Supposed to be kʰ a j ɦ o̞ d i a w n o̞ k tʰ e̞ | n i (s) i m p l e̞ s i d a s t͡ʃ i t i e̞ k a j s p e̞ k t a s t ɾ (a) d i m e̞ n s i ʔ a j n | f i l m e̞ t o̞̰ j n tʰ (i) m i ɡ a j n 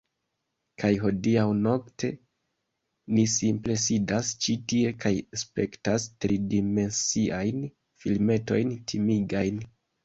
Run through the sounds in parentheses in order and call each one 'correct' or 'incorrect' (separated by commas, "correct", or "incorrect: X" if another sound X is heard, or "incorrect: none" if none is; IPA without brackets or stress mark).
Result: correct, incorrect: i, correct